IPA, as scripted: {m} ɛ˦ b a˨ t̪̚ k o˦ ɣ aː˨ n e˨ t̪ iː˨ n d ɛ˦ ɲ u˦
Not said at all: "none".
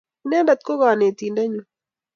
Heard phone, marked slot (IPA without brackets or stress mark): n